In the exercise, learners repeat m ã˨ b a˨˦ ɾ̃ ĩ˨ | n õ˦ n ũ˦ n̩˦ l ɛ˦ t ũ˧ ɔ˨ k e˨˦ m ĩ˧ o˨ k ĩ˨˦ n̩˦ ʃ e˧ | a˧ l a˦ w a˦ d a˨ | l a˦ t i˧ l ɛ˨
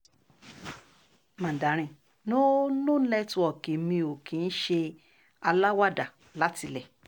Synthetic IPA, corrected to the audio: m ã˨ d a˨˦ ɾ̃ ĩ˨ | n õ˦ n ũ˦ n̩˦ l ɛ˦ t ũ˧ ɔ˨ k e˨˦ m ĩ˧ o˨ k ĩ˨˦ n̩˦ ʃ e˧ | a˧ l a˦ w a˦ d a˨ | l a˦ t i˧ l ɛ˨